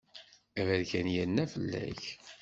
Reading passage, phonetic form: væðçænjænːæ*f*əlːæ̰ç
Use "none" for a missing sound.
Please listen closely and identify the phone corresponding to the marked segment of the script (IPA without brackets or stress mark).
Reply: f